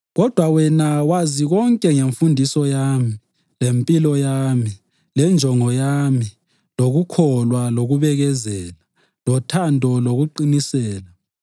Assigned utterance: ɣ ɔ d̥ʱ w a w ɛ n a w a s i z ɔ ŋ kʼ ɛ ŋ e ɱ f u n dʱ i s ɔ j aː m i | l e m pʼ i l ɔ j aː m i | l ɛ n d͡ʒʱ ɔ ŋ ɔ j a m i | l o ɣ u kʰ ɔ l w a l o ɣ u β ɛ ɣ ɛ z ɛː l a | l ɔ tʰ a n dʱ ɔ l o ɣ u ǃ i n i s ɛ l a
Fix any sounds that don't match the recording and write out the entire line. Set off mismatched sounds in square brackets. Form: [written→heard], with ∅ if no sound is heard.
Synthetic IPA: ɣ ɔ d̥ʱ w a w ɛ n a w a [s→z] i [z→ɣ] ɔ ŋ kʼ ɛ ŋ e ɱ f u n dʱ i s ɔ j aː m i | l e m pʼ i l ɔ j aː m i | l ɛ n d͡ʒʱ ɔ ŋ ɔ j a m i | l o ɣ u kʰ ɔ l w a l o ɣ u β ɛ ɣ ɛ z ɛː l a | l ɔ tʰ a n dʱ ɔ l o ɣ u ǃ i n i s [ɛ→ɛː] l a